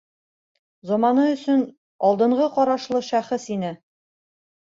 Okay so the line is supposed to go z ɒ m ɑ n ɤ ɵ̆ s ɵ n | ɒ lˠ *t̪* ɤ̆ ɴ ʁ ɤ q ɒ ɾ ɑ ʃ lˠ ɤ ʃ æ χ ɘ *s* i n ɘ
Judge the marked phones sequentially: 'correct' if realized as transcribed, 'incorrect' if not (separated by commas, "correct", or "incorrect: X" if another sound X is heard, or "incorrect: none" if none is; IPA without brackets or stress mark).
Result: incorrect: d̪, correct